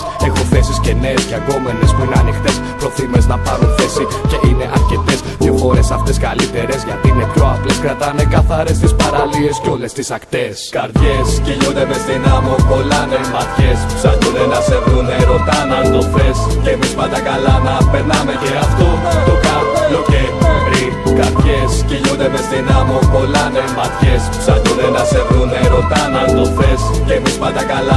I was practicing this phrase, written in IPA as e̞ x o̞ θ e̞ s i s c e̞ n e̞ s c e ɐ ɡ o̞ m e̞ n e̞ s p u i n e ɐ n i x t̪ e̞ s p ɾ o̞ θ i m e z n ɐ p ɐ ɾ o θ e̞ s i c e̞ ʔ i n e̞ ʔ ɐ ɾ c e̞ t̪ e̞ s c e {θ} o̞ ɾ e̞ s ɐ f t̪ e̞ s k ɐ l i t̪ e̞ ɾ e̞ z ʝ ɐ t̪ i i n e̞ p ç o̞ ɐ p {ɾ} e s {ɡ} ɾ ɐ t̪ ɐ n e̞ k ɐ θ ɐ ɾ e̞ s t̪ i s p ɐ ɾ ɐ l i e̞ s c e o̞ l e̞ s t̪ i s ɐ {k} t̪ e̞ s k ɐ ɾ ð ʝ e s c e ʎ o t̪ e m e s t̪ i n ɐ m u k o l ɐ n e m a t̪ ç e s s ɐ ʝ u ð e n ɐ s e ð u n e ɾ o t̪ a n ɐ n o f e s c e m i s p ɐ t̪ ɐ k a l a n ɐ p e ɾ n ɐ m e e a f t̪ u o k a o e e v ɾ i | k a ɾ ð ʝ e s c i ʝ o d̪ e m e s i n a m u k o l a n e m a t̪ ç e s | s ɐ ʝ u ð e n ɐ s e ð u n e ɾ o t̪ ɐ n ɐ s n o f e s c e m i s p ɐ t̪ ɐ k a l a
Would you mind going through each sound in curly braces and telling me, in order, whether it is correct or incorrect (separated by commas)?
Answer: incorrect, incorrect, incorrect, correct